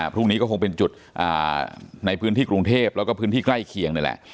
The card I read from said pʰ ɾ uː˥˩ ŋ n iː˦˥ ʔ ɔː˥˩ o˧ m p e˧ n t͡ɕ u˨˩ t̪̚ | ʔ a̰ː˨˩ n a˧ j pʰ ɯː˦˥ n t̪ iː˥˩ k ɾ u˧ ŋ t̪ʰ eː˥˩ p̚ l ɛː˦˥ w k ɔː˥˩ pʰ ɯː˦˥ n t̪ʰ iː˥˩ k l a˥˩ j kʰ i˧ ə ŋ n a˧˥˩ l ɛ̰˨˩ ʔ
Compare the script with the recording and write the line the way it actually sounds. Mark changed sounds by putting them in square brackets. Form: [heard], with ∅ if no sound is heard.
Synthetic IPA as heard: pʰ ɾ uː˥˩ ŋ n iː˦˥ [k] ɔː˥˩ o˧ [ŋ] p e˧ n t͡ɕ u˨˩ t̪̚ | ʔ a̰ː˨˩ n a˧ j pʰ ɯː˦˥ n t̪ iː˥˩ k ɾ u˧ ŋ t̪ʰ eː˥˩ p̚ l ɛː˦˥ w k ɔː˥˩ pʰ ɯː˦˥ n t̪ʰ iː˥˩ k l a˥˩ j kʰ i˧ ə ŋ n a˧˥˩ l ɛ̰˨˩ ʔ